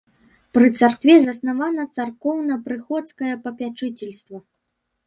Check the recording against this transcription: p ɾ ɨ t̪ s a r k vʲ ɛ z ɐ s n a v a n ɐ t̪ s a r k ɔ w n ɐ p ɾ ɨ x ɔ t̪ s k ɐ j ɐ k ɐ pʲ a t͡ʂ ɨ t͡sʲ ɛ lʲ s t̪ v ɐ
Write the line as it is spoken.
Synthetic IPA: p ɾ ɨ t̪ s a r k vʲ ɛ z ɐ s n a v a n ɐ t̪ s a r k ɔ w n ɐ p ɾ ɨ x ɔ t̪ s k ɐ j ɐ p ɐ pʲ a t͡ʂ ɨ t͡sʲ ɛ lʲ s t̪ v ɐ